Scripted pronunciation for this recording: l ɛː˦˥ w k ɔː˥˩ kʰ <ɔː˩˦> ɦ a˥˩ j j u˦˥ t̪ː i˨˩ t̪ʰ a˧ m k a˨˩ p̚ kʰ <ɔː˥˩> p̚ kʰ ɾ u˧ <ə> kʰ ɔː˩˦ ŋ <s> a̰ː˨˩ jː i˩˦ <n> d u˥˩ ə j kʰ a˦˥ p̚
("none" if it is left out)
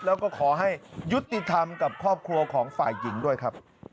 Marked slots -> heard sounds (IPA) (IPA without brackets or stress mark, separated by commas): ɔː˩˦, ɔː˥˩, ɐ, f, ŋ